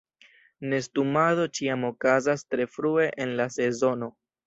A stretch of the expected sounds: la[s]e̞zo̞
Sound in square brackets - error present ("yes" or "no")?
no